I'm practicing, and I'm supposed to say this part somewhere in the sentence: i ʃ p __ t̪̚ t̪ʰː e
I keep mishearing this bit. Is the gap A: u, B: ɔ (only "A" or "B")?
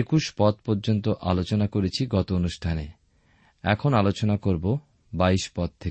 B